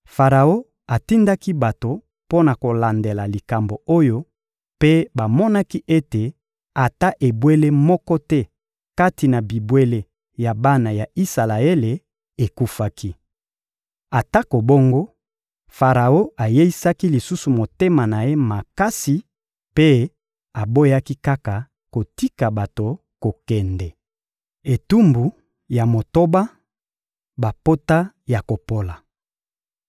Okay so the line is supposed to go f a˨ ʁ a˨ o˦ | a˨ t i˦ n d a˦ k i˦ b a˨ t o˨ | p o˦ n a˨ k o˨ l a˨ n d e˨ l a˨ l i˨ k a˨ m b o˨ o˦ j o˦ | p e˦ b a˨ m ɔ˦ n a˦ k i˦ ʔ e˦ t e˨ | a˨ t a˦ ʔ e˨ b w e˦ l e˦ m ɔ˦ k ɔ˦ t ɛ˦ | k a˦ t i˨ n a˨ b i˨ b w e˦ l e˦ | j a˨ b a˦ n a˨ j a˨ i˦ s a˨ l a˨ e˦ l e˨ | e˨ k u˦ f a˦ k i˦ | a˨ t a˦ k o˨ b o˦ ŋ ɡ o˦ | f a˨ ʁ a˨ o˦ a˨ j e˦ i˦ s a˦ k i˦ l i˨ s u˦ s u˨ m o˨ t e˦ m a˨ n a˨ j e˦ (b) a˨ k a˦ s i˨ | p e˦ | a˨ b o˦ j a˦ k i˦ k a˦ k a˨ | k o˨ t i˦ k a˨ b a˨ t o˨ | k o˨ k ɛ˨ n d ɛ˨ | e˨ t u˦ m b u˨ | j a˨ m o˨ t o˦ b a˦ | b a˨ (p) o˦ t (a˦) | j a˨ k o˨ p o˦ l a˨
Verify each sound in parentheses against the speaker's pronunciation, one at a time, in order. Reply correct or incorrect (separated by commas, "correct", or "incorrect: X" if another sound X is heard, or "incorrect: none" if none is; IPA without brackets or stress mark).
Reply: incorrect: m, correct, correct